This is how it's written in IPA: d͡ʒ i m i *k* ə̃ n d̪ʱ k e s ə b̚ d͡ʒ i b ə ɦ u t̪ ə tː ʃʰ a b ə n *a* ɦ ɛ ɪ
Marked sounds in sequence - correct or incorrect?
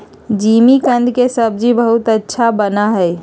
correct, correct

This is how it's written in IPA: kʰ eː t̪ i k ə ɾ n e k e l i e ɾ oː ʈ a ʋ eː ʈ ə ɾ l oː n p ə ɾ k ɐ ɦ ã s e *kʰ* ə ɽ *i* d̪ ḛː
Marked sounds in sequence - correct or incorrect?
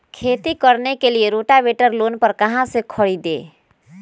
correct, correct

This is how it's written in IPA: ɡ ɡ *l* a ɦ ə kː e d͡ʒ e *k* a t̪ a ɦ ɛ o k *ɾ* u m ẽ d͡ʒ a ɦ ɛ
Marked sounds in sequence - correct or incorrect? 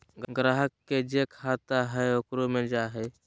incorrect, incorrect, correct

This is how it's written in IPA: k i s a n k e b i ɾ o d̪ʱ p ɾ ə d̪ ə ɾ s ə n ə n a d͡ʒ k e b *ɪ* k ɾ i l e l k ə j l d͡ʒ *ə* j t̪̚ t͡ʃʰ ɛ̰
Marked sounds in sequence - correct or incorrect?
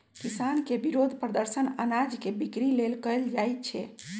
incorrect, incorrect

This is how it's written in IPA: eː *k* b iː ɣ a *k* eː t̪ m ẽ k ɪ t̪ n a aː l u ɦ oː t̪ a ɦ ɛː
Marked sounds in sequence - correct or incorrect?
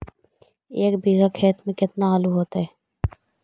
correct, incorrect

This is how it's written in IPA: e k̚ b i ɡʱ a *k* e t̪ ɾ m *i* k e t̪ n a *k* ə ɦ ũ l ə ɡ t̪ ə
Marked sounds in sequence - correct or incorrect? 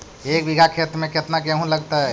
incorrect, incorrect, correct

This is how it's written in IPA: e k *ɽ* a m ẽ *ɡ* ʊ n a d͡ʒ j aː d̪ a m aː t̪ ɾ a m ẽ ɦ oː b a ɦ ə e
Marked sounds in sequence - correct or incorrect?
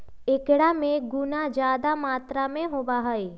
correct, correct

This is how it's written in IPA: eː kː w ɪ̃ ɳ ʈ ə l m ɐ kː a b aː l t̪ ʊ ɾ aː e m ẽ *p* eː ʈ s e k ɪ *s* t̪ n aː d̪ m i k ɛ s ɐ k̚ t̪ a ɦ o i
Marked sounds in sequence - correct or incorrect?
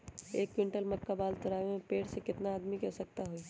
correct, incorrect

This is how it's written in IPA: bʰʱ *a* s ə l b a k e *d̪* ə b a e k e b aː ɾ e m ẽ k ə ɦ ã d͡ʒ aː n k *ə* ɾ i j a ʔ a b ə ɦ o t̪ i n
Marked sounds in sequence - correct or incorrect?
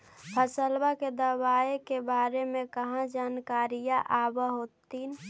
incorrect, correct, incorrect

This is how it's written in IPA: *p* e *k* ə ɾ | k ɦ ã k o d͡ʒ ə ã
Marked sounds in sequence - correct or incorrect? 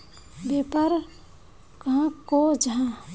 incorrect, incorrect

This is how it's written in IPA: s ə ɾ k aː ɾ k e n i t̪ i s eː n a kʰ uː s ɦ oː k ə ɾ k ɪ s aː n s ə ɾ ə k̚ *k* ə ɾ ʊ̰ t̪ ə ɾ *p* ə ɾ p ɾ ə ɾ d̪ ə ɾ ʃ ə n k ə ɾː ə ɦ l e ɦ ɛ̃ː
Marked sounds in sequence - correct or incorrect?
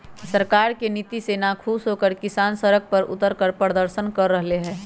incorrect, incorrect

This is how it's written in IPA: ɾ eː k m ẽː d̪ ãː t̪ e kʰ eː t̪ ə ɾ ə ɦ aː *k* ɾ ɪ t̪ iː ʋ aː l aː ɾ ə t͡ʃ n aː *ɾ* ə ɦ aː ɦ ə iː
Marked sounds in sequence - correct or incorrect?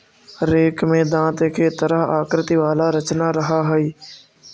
correct, correct

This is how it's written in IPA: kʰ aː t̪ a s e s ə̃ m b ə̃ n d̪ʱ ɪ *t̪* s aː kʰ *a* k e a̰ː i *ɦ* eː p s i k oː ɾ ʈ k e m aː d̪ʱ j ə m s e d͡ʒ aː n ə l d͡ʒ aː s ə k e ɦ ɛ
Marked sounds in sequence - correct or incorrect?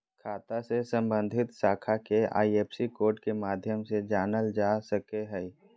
correct, correct, incorrect

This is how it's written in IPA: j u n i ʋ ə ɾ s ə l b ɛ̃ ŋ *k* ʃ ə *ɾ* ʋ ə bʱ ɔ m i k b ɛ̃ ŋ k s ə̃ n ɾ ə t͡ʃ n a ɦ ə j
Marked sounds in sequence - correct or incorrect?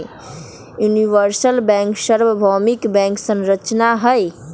correct, correct

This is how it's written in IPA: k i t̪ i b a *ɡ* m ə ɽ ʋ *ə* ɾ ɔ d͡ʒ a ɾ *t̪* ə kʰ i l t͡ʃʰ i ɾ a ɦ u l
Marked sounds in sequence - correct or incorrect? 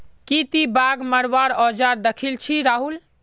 correct, incorrect, incorrect

